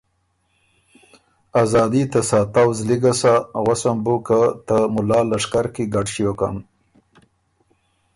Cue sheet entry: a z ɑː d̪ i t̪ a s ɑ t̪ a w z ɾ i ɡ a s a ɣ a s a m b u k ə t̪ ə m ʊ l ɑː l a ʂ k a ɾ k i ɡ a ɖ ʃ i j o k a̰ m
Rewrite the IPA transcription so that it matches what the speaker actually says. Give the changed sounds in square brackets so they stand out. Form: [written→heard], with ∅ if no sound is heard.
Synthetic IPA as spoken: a z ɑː d̪ i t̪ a s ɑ t̪ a w z [ɾ→l] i ɡ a s a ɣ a s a m b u k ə t̪ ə m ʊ l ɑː l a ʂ k a ɾ k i ɡ a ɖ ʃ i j o k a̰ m